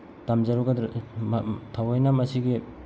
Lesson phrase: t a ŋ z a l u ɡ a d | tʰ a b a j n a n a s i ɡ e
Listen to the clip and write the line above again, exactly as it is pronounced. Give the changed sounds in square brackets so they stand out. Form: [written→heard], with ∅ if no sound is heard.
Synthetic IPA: t a [ŋ→m] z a [l→ɾ] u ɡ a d | tʰ a [b→w] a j n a [n→m] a s i ɡ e